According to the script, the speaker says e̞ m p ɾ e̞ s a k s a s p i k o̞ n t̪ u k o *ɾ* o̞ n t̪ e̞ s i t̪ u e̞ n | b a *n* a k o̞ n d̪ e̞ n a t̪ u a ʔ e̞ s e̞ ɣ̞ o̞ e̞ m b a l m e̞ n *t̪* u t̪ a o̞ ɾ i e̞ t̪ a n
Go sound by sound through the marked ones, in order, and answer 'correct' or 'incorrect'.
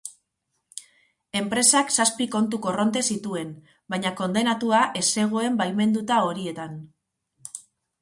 incorrect: r, incorrect: ɲ, incorrect: d̪

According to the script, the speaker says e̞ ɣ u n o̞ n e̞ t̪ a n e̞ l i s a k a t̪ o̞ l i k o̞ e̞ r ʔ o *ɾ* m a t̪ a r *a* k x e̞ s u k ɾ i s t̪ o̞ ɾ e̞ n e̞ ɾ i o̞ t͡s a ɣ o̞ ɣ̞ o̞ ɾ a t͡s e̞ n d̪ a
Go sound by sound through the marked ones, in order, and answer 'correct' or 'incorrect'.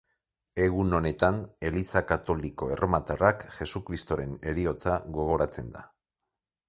incorrect: none, correct

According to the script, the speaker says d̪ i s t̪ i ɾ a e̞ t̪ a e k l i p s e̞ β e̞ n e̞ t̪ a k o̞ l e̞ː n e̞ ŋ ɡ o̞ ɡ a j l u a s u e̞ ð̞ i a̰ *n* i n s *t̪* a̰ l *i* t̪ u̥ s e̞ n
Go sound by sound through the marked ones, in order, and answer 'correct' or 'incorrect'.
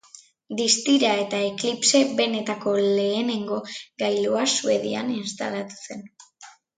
correct, correct, incorrect: a

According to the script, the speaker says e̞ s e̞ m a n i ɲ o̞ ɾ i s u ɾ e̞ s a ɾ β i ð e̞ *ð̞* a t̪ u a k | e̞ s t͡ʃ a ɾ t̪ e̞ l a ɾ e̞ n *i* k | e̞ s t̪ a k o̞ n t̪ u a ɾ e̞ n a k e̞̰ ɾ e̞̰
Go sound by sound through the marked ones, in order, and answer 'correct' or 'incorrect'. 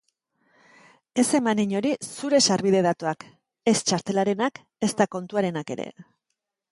correct, incorrect: a

